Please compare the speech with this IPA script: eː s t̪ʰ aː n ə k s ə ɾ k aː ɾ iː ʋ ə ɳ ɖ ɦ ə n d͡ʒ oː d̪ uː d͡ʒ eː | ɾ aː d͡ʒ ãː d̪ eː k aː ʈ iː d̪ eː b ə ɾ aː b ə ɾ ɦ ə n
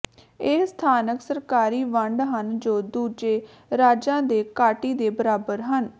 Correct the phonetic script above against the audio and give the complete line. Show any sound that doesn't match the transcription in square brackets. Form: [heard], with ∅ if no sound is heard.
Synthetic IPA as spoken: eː s t̪ʰ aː n ə k s ə ɾ k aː ɾ iː ʋ ə ɳ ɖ ɦ ə n d͡ʒ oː d̪ uː d͡ʒ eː | ɾ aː d͡ʒ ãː d̪ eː k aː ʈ iː d̪ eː b ə ɾ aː b ə ɾ ɦ ə n